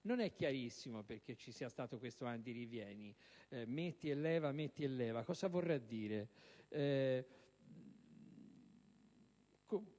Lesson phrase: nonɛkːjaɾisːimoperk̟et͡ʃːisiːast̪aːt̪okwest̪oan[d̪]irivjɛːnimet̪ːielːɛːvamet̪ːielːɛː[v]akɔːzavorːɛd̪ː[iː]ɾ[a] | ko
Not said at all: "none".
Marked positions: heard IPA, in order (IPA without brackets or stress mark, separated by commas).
d̪, v, iː, e